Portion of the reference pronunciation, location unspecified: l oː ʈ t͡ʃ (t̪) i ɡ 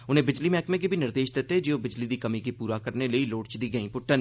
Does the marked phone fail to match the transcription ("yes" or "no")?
yes